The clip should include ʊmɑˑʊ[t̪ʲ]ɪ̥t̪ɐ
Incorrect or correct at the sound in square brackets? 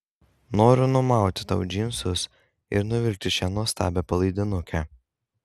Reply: correct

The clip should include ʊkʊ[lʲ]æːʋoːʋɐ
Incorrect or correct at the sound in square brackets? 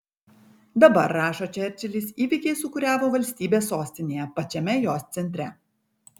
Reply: incorrect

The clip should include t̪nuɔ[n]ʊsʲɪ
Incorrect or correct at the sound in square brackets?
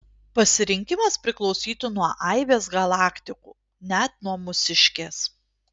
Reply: incorrect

